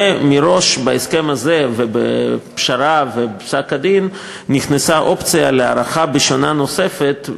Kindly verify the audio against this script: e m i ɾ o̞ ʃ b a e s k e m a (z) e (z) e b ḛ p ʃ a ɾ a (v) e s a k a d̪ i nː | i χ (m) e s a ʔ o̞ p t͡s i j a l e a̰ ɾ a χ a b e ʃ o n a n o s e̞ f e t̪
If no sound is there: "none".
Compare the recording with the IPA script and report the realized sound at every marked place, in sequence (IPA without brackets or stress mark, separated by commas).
z, v, v, n